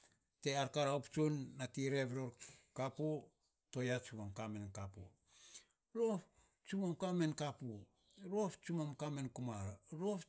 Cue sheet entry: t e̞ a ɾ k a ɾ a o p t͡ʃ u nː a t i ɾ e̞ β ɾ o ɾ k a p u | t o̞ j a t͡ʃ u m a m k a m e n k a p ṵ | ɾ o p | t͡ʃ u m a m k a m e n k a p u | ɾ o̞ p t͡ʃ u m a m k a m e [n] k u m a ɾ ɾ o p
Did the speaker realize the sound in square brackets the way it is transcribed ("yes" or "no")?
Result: yes